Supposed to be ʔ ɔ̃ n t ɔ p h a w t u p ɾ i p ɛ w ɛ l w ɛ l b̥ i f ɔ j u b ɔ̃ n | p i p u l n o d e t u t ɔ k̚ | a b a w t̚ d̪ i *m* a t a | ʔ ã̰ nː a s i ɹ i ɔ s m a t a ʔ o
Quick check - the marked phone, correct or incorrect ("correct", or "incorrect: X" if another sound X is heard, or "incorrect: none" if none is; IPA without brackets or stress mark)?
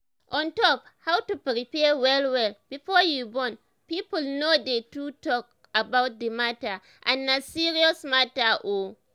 correct